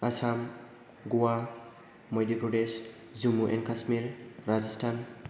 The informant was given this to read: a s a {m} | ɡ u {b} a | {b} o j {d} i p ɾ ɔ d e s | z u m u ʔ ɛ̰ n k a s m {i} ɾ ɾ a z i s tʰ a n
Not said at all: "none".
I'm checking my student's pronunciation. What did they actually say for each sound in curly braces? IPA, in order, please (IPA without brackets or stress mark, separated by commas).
m, w, m, d, i